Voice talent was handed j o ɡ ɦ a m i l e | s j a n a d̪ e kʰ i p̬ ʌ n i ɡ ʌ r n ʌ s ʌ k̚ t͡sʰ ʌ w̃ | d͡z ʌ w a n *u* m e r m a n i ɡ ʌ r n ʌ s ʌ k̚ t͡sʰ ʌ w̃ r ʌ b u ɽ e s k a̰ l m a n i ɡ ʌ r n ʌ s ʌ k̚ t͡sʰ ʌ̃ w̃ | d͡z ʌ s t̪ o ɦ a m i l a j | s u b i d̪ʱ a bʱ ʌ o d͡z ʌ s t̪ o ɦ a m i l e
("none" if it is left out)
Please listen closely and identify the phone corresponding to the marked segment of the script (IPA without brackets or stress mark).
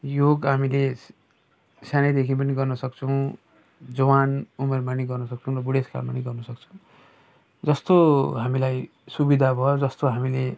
u